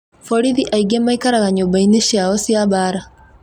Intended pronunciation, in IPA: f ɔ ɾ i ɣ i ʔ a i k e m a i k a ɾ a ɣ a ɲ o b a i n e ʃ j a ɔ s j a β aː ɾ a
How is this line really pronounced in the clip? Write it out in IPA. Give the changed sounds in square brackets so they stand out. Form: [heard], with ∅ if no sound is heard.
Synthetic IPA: f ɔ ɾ i [ð] i ʔ a i [ɡ] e m a i k a ɾ a ɣ a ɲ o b a i n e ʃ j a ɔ s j a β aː ɾ a